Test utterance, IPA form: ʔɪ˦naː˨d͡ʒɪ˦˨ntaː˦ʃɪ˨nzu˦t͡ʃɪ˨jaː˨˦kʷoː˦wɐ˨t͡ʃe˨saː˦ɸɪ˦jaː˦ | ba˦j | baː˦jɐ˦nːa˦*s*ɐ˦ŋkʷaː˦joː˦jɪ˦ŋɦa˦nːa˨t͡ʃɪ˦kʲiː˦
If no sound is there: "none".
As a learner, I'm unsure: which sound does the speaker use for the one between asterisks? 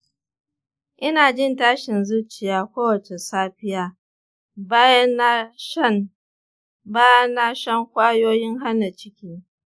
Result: ʃ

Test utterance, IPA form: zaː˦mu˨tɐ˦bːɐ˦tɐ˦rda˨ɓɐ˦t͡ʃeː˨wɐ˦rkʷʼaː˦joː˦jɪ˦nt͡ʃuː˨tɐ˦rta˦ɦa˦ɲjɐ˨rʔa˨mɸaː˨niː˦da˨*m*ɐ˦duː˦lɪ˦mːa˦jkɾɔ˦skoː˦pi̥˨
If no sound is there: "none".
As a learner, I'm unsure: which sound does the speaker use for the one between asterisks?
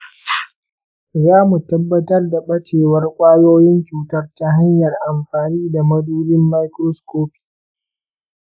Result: m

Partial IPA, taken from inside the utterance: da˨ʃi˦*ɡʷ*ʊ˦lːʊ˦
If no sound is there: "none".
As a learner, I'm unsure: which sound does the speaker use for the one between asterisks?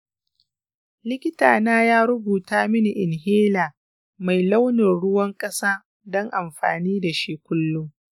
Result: kʷ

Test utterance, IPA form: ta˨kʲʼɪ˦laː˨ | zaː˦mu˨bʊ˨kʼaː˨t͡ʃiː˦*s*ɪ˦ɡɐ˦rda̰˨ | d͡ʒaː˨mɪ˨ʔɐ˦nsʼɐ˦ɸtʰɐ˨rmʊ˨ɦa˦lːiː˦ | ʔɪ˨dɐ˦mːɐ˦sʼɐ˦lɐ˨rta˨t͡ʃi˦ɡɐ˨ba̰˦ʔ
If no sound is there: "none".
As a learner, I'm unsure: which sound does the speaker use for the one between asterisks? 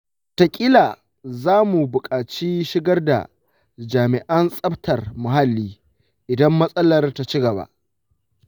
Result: ʃ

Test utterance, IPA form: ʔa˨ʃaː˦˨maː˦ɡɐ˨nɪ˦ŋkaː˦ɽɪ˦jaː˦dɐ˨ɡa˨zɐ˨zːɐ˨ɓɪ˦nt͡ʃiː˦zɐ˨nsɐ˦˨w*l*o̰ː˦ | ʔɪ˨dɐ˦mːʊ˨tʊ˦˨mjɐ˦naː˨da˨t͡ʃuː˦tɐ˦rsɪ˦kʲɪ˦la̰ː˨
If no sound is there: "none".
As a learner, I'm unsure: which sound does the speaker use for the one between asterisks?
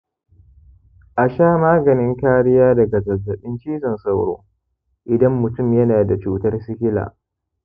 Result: ɽ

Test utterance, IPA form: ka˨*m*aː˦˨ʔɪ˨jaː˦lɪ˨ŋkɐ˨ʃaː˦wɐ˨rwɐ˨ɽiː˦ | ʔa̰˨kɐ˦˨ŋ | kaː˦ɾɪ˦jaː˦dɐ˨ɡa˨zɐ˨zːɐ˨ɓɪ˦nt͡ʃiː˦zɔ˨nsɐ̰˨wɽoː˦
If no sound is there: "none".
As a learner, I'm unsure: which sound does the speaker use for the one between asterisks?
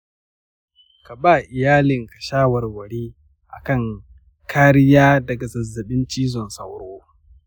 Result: b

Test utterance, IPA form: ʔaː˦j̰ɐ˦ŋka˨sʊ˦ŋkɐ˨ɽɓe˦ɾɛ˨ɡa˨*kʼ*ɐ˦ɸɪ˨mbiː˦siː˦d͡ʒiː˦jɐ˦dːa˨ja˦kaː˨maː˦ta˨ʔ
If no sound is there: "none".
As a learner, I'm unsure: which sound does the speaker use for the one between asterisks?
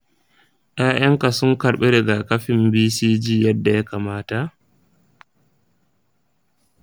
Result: k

